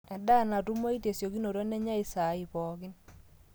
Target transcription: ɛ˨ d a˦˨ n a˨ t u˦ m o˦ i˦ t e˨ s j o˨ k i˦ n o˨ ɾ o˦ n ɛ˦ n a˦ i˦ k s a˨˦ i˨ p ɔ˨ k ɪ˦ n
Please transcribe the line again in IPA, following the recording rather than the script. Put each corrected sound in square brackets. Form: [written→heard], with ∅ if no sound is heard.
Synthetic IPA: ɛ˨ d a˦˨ n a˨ t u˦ m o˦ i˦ t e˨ s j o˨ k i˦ n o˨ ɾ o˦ n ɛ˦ [n→ɲ] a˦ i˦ [k→∅] s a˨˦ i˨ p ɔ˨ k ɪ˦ n